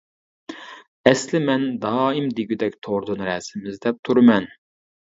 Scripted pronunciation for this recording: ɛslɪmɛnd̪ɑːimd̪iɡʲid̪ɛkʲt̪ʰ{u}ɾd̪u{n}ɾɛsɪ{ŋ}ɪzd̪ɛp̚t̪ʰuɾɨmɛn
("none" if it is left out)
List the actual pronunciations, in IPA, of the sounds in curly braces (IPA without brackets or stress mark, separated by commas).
o, n, m